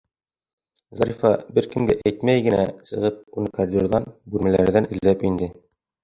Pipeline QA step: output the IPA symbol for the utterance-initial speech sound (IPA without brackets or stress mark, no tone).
z